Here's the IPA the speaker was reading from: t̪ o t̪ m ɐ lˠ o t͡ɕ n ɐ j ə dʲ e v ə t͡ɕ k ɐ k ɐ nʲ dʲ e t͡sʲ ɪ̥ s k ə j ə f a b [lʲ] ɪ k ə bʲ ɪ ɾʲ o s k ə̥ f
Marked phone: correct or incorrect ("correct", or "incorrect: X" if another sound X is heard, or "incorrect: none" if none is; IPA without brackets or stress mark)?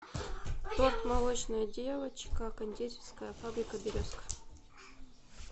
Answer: incorrect: ɾʲ